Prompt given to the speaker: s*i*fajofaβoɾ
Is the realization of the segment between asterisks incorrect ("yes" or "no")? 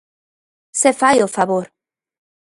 yes